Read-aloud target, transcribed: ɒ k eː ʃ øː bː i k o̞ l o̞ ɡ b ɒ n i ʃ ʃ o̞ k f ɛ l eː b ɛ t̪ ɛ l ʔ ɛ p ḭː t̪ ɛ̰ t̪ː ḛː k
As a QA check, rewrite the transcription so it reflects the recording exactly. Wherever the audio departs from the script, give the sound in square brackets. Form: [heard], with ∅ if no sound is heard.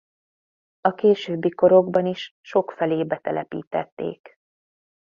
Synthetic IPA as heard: ɒ k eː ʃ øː bː i k o̞ [ɾ] o̞ ɡ b ɒ n i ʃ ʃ o̞ k f ɛ l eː b ɛ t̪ ɛ l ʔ ɛ p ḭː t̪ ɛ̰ t̪ː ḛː k